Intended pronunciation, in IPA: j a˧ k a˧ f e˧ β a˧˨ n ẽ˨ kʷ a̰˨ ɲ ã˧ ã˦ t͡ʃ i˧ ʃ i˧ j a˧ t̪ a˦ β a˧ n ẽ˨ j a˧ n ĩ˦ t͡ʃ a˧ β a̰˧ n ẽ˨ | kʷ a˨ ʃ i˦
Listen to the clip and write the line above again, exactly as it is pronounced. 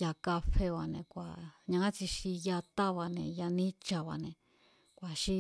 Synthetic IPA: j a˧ k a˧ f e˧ β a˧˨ n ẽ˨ kʷ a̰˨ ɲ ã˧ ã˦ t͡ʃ i˧ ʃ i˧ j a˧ t̪ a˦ β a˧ n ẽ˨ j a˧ n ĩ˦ t͡ʃ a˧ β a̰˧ n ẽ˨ | kʷ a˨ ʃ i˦